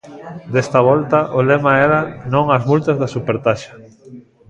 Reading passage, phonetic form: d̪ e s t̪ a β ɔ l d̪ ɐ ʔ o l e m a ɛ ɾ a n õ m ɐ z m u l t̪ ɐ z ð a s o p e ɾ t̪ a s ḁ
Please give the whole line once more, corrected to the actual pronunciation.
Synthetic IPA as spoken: d̪ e s t̪ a β ɔ l t̪ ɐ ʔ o l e m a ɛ ɾ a n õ ŋ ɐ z m u l t̪ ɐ z ð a s u p e ɾ t̪ a ʃ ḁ